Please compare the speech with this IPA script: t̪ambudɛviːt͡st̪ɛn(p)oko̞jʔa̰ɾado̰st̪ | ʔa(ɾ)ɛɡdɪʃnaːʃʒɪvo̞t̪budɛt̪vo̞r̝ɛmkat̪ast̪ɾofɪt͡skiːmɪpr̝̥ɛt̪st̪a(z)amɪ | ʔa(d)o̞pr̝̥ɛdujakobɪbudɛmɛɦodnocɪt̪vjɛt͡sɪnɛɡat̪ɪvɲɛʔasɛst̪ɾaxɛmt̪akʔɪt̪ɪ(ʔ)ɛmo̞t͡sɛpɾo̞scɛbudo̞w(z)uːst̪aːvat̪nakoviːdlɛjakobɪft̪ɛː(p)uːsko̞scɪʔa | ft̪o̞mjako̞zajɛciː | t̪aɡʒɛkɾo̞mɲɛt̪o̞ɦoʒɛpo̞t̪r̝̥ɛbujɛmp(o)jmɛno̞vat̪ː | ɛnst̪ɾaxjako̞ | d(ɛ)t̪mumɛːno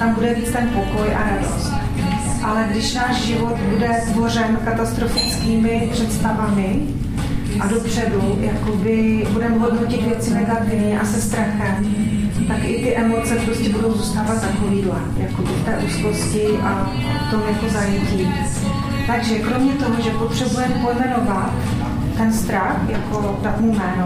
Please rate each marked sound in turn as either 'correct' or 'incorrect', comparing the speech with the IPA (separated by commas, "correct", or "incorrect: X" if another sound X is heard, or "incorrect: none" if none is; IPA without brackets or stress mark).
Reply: correct, incorrect: l, incorrect: v, correct, correct, correct, incorrect: ʔ, correct, incorrect: a